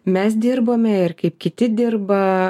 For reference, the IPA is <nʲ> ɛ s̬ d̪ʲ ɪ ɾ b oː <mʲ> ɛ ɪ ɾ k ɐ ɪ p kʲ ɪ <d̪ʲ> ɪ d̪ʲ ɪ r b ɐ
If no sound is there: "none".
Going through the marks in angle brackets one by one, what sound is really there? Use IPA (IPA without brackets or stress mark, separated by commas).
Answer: mʲ, mʲ, t̪ʲ